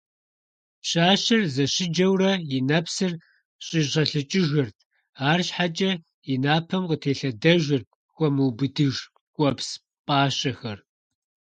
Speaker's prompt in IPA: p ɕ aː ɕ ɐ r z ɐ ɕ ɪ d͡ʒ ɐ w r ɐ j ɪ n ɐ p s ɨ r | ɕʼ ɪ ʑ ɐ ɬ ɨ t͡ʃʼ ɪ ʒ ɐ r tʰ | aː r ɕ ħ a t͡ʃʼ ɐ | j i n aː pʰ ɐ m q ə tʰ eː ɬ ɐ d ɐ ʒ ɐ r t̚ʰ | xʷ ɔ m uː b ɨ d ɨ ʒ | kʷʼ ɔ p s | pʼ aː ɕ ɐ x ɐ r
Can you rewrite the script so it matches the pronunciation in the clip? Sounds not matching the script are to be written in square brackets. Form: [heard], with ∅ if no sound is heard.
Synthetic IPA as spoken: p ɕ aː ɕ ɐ r z ɐ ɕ ɪ d͡ʒ ɐ w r ɐ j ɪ n ɐ p s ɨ r | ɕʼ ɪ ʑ ɐ ɬ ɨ t͡ʃʼ ɪ ʒ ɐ r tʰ | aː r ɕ ħ a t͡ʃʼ ɐ | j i n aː pʰ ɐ m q ə tʰ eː ɬ ɐ d ɐ ʒ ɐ r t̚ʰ | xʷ ɔ m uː b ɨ d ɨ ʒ | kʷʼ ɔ p s | pʼ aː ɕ ɐ x ɐ r